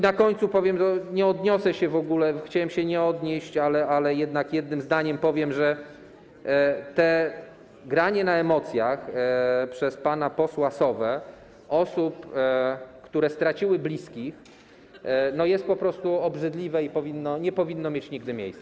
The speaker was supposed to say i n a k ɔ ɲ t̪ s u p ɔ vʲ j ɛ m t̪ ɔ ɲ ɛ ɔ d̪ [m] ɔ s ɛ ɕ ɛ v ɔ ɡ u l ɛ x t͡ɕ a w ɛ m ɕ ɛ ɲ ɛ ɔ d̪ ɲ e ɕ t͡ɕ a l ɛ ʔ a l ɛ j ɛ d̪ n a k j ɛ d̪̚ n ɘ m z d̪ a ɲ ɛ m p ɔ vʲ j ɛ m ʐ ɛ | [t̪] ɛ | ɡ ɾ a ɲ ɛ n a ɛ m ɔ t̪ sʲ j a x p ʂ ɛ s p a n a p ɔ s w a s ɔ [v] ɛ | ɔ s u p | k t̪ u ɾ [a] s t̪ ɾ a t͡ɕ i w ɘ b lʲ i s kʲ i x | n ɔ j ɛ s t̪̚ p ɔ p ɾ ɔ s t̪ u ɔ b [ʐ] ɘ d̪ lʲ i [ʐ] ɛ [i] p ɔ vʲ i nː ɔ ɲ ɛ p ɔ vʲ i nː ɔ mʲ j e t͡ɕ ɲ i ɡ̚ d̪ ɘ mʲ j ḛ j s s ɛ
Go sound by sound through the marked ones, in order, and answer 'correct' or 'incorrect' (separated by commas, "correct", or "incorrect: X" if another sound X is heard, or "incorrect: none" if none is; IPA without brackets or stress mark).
incorrect: ɲ, correct, correct, incorrect: ɛ, correct, incorrect: v, correct